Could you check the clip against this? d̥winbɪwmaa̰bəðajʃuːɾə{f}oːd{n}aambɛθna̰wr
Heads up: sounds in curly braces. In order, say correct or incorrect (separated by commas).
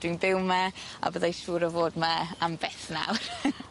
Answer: incorrect, incorrect